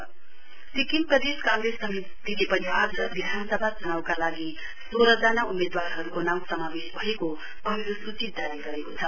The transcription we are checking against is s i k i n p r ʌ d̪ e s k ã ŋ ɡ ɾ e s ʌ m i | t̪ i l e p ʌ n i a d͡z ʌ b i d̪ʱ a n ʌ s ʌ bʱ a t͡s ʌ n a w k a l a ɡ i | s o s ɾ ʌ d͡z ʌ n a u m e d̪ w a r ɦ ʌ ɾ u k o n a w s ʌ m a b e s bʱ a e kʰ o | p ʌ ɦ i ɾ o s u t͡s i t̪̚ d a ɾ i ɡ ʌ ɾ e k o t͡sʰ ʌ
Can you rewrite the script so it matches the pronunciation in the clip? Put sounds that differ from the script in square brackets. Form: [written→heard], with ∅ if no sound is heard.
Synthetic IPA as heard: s i k i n p r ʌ d̪ e s k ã ŋ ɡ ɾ e s ʌ m i | t̪ i l e p ʌ n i a d͡z ʌ b i d̪ʱ a n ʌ s ʌ bʱ a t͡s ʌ n a w k a l a ɡ i | s o [s→∅] ɾ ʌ d͡z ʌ n a u m e d̪ w a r ɦ ʌ ɾ u k o n a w s ʌ m a b e s bʱ [a→ʌ] e [kʰ→k] o | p ʌ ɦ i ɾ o s u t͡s i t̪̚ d a ɾ i ɡ ʌ ɾ e k o t͡sʰ ʌ